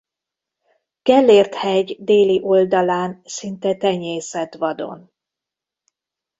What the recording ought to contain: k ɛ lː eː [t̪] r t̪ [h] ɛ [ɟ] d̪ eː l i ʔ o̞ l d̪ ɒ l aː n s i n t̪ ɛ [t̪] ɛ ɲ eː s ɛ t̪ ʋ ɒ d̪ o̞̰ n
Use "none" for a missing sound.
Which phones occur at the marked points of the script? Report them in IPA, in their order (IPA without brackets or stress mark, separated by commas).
none, h, ɟ, t̪